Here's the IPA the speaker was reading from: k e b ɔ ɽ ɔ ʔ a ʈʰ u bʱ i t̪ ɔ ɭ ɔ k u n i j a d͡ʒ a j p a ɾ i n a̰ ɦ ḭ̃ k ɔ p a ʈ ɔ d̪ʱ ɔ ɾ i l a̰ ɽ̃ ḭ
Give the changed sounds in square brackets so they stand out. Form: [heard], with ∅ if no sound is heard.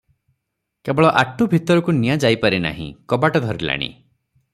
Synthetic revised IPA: k e b ɔ [ɭ] ɔ ʔ a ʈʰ u bʱ i t̪ ɔ [ɾ] ɔ k u n i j a d͡ʒ a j p a ɾ i n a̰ ɦ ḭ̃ k ɔ [b] a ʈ ɔ d̪ʱ ɔ ɾ i l a̰ ɽ̃ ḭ